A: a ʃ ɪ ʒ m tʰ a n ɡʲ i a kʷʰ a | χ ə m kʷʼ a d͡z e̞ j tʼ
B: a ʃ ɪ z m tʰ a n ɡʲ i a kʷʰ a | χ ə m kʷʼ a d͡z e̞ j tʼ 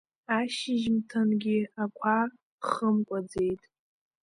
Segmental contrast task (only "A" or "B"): A